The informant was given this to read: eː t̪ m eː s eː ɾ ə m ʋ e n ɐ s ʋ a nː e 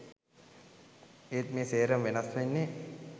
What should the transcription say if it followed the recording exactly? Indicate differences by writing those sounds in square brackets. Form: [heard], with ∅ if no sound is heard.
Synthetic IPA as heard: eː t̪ m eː s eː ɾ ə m ʋ e n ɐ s ʋ [e] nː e

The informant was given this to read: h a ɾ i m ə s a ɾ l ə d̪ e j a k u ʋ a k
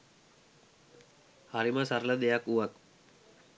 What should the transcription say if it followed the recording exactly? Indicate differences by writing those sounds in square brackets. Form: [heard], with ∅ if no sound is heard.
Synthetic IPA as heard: h a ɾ i m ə s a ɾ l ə d̪ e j a k u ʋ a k

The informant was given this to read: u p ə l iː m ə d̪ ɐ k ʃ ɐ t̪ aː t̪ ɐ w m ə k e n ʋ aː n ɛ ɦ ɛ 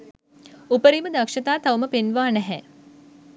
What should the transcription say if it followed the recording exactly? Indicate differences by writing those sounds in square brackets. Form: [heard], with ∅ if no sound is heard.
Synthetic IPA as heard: u p ə [ɾ] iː m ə d̪ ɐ k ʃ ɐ t̪ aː t̪ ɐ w m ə [p] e n ʋ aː n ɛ ɦ ɛ

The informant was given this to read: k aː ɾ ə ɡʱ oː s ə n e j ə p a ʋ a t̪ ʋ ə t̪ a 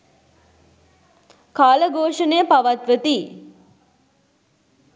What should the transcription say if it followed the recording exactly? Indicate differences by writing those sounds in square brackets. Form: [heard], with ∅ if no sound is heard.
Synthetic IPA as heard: k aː [l] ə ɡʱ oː [ʂ] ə n e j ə p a ʋ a t̪ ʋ ə t̪ [i]

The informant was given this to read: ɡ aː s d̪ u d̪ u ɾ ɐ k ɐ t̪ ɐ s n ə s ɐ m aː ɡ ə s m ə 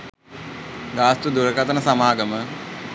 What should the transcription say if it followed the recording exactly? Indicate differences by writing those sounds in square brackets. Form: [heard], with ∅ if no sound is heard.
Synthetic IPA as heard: ɡ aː s [t̪] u d̪ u ɾ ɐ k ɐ t̪ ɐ [∅] n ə s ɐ m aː ɡ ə [∅] m ə

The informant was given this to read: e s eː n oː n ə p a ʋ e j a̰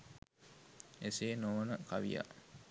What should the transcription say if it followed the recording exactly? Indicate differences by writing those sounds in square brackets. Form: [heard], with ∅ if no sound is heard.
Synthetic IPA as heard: e s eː n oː n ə [k] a ʋ [i] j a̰

